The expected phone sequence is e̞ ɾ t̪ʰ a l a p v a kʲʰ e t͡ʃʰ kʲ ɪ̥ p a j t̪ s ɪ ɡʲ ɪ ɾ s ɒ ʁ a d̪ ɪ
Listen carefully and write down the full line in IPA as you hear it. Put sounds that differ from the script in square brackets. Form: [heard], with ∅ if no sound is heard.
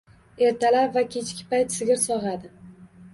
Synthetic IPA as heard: e̞ ɾ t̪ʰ a l a p v a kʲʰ e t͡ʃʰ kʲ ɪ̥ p a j t̪ s ɪ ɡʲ ɪ ɾ s ɒ ʁ a d̪ ɪ